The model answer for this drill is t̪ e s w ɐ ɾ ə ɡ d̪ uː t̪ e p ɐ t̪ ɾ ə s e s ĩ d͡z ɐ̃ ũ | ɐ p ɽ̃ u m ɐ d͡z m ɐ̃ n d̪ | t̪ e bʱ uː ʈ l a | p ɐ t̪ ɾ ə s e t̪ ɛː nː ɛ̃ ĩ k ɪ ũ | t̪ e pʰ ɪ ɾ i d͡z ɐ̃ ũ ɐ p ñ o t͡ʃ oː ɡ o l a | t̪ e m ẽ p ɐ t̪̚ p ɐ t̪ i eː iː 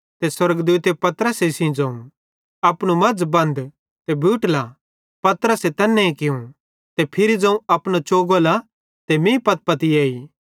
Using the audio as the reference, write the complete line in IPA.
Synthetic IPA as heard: t̪ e s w ɐ ɾ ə ɡ d̪ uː t̪ e p ɐ t̪ ɾ ə s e s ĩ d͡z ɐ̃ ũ | ɐ p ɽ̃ u m ɐ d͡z b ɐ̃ n d̪ | t̪ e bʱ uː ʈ l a | p ɐ t̪ ɾ ə s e t̪ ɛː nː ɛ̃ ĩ k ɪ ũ | t̪ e pʰ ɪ ɾ i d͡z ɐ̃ ũ ɐ p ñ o t͡ʃ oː ɡ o l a | t̪ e m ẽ p ɐ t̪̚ p ɐ t̪ i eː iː